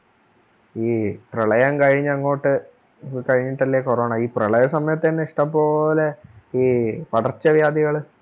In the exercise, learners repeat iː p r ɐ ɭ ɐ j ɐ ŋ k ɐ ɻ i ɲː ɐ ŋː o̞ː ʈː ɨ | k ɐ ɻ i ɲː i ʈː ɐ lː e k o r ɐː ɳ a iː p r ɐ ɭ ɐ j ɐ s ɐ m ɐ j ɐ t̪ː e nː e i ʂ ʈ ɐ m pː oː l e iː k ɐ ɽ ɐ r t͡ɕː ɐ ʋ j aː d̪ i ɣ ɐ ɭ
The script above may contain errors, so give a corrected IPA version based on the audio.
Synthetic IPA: iː p r ɐ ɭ ɐ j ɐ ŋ k ɐ ɻ i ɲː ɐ ŋː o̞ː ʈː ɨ | k ɐ ɻ i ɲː i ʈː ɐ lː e k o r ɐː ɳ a iː p r ɐ ɭ ɐ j ɐ s ɐ m ɐ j ɐ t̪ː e nː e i ʂ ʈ ɐ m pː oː l e iː p ɐ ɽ ɐ r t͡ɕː ɐ ʋ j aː d̪ i ɣ ɐ ɭ

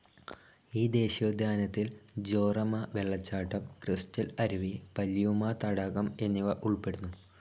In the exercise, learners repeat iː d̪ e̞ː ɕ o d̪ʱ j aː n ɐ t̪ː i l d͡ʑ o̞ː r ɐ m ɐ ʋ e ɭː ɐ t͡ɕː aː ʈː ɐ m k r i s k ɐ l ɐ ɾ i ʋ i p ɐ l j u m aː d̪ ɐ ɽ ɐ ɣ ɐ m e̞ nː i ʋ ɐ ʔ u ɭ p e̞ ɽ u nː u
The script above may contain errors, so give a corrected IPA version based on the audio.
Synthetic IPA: iː d̪ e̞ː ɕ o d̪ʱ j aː n ɐ t̪ː i l d͡ʑ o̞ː r ɐ m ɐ ʋ e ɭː ɐ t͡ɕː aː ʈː ɐ m k r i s t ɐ l ɐ ɾ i ʋ i p ɐ l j u m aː t̪ ɐ ɽ ɐ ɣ ɐ m e̞ nː i ʋ ɐ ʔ u ɭ p e̞ ɽ u nː u

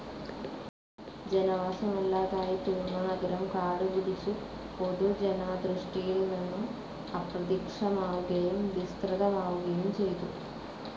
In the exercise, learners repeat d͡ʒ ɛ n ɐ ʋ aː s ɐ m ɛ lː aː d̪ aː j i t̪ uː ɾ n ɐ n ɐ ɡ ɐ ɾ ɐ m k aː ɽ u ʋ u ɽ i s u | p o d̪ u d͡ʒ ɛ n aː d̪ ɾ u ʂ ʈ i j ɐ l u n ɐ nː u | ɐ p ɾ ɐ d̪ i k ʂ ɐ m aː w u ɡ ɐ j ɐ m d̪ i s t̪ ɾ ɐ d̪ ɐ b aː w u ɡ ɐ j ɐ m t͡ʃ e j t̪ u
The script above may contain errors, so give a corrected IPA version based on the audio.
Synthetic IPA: d͡ʒ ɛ n ɐ ʋ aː s ɐ m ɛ lː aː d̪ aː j i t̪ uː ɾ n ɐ n ɐ ɡ ɐ ɾ ɐ m k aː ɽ u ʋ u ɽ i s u | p o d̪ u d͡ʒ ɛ n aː d̪ ɾ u ʂ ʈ i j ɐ l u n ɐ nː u | ɐ p ɾ ɐ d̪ i k ʂ ɐ m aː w u ɡ ɐ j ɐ m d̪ i s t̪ ɾ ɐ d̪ ɐ m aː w u ɡ ɐ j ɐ m t͡ʃ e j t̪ u

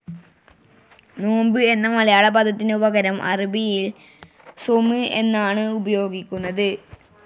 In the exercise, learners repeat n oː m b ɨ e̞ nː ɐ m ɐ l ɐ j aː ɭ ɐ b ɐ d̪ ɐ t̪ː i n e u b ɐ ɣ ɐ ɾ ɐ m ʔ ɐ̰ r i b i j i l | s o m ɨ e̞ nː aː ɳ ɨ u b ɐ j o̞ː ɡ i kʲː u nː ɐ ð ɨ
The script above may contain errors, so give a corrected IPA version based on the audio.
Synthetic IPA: n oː m b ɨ e̞ nː ɐ m ɐ l ɐ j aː ɭ ɐ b ɐ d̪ ɐ t̪ː i n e u b ɐ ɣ ɐ ɾ ɐ m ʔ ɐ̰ r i b i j i l | s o m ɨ e̞ nː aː ɳ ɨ u b ɐ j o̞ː ɡ i kʲː u nː ɐ ð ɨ

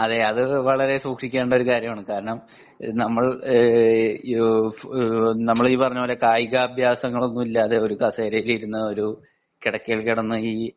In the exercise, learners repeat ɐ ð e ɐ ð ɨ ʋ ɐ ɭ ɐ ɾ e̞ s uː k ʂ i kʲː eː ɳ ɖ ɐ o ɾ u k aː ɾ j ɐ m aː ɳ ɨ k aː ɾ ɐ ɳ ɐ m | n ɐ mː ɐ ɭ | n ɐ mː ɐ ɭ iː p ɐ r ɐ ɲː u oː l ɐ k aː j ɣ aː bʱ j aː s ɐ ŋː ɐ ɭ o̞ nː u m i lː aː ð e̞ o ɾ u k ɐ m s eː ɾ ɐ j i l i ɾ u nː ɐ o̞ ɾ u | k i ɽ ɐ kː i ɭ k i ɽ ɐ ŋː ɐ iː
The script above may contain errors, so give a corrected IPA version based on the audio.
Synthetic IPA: ɐ ð e ɐ ð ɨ ʋ ɐ ɭ ɐ ɾ e̞ s uː k ʂ i kʲː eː ɳ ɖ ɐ o ɾ u k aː ɾ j ɐ m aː ɳ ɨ k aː ɾ ɐ ɳ ɐ m | n ɐ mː ɐ ɭ | n ɐ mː ɐ ɭ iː p ɐ r ɐ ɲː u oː l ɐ k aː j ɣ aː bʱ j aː s ɐ ŋː ɐ ɭ o̞ nː u m i lː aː ð e̞ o ɾ u k ɐ s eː ɾ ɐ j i l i ɾ u nː ɐ o̞ ɾ u | k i ɽ ɐ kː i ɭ k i ɽ ɐ nː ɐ iː

